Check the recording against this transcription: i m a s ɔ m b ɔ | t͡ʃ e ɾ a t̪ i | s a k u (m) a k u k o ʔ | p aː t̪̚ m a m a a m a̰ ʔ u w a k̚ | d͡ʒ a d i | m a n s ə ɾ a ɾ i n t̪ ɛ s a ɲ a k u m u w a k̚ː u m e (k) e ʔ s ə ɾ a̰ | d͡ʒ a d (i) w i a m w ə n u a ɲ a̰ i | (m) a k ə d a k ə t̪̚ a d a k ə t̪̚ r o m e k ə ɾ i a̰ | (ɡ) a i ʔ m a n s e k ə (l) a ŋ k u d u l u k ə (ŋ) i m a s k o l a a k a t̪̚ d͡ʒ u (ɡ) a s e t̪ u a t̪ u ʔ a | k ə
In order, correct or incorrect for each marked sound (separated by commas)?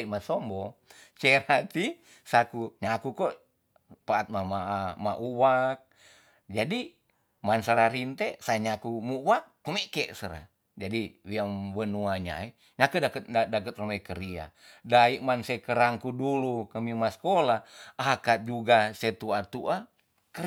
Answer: incorrect, correct, correct, incorrect, incorrect, incorrect, incorrect, correct